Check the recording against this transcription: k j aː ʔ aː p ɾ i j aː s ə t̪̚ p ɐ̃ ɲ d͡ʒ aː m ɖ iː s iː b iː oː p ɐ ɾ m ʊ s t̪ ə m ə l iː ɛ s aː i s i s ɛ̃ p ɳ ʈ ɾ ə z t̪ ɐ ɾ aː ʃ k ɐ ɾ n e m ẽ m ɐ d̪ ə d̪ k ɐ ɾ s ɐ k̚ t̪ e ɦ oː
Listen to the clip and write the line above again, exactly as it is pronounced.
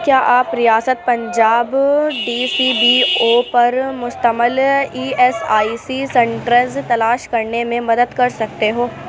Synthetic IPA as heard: k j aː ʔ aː p ɾ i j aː s ə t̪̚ p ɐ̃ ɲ d͡ʒ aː b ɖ iː s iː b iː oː p ɐ ɾ m ʊ s t̪ ə m ə l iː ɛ s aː i s i s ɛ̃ ɳ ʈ ɾ ə z t̪ ɐ l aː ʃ k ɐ ɾ n e m ẽ m ɐ d̪ ə d̪ k ɐ ɾ s ɐ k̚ t̪ e ɦ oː